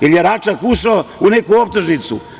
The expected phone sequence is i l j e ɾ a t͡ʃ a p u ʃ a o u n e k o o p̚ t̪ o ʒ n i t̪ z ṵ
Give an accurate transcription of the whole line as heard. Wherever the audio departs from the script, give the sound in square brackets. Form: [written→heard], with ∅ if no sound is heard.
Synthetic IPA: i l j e ɾ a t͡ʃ a [p→k] u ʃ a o u n e k [o→u] o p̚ t̪ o ʒ n i t̪ [z→s] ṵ